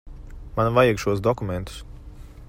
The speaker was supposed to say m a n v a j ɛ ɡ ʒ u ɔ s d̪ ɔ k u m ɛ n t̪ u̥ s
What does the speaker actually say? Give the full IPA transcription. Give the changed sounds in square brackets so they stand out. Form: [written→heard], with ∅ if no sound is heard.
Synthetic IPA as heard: m a n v a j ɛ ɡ [ʒ→ʃ] u ɔ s d̪ ɔ k u m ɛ n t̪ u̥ s